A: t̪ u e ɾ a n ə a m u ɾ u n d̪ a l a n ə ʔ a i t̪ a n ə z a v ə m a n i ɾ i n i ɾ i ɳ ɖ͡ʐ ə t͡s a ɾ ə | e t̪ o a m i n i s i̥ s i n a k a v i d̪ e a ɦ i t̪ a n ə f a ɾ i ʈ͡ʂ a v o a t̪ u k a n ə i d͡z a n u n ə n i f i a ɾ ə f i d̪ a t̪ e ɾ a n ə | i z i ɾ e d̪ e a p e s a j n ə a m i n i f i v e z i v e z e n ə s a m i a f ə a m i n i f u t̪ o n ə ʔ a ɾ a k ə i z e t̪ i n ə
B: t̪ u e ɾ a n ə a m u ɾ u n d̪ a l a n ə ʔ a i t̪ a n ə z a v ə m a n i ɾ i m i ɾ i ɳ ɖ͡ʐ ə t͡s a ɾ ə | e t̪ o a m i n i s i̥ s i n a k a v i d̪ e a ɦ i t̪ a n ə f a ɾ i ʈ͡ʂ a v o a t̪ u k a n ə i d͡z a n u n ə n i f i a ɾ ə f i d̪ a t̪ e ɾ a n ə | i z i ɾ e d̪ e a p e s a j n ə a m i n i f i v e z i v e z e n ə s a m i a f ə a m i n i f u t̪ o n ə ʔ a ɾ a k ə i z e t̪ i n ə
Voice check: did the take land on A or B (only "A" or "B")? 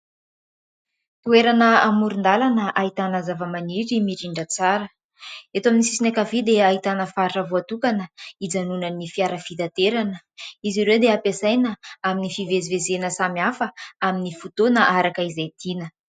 B